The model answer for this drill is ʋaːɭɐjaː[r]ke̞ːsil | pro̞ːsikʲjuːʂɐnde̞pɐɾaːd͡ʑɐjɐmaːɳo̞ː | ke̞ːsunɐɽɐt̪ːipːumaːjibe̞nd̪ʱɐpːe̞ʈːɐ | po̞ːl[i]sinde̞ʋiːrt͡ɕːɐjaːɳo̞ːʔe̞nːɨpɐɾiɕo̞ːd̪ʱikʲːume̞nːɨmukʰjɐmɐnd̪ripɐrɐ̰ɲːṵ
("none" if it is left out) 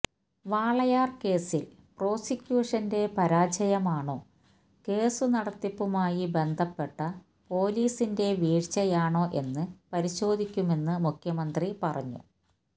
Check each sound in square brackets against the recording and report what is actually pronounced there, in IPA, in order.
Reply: r, iː

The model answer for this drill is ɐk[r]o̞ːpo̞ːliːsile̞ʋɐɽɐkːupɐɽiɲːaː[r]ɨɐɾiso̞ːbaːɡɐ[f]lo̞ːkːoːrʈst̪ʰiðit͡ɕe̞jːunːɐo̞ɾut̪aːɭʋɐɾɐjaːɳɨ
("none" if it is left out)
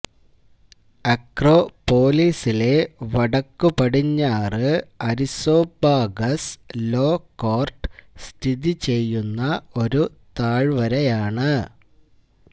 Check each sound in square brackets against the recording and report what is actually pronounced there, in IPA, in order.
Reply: r, r, s

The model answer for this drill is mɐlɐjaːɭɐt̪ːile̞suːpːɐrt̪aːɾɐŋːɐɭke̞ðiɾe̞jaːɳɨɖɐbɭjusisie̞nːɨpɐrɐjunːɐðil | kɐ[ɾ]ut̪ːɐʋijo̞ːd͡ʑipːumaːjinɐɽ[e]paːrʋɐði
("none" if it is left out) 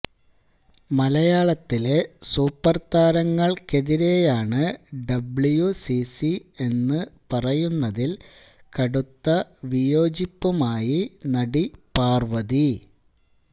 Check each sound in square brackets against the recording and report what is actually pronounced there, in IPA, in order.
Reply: ɽ, i

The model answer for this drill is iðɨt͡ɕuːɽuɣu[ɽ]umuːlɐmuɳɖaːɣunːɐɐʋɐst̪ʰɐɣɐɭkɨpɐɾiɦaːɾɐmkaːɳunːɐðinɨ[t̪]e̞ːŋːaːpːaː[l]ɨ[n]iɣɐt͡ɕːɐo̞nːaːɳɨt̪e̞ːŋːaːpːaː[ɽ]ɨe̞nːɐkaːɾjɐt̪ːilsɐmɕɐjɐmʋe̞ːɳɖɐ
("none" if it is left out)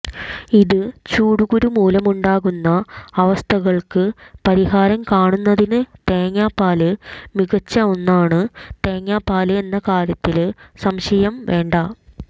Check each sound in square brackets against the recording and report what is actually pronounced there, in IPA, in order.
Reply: ɾ, t̪, l, m, l

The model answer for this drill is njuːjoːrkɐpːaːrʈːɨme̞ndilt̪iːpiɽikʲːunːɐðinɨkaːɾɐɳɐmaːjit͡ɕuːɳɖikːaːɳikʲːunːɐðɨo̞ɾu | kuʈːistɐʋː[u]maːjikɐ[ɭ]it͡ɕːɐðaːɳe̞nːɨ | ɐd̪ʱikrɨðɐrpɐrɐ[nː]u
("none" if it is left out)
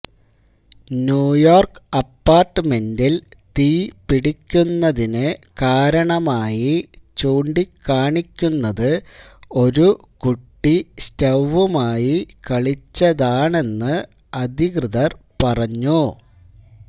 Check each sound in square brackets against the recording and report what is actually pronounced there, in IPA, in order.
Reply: u, ɭ, ɲː

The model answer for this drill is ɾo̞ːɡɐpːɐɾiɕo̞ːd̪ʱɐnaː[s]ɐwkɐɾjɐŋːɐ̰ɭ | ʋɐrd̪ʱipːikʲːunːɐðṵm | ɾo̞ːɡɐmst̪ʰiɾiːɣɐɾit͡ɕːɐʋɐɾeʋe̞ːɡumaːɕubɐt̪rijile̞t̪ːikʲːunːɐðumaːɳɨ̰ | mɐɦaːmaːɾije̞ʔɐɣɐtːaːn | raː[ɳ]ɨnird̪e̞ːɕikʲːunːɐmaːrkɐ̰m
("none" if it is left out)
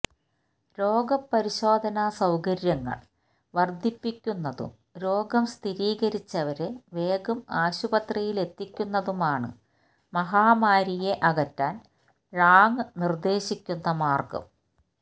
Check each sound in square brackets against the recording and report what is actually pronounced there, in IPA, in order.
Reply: s, ŋ

